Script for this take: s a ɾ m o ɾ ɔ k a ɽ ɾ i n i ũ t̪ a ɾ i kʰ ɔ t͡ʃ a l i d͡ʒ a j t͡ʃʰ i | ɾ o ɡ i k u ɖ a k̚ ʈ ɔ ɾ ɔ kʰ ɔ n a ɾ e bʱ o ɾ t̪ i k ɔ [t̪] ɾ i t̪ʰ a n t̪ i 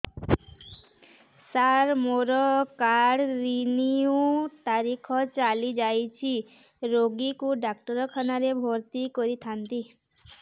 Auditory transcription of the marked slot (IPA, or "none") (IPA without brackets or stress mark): none